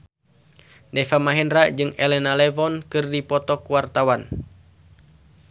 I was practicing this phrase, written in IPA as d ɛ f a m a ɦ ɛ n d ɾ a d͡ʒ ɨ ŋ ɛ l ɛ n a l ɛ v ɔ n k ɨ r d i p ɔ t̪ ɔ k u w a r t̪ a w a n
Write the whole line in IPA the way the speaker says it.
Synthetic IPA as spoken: d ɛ f a m a ɦ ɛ n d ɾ a d͡ʒ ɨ ŋ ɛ l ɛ n a l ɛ v ɔ n k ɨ r d i p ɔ t̪ ɔ k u w a r t̪ a w a n